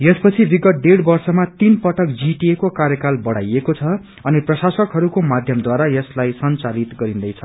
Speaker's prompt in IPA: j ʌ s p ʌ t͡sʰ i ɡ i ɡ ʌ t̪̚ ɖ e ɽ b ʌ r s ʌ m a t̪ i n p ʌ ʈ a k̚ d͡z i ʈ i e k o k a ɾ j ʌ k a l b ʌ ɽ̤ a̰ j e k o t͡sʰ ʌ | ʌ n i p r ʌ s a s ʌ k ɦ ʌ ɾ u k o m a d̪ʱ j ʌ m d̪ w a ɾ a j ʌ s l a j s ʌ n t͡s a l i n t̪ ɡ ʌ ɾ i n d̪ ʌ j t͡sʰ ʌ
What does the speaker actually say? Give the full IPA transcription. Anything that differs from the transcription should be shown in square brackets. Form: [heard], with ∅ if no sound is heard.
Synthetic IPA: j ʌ s p ʌ t͡sʰ i [b] i ɡ ʌ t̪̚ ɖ e ɽ b ʌ r s ʌ m a t̪ i n p ʌ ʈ [ʌ] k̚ d͡z i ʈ i e k o k a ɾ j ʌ k a l b ʌ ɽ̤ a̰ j e k o t͡sʰ ʌ | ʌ n i p r ʌ s a s ʌ k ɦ ʌ ɾ u k o m a d̪ʱ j ʌ m d̪ w a ɾ a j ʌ s l a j s ʌ n t͡s a l i [∅] t̪ ɡ ʌ ɾ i n d̪ ʌ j t͡sʰ ʌ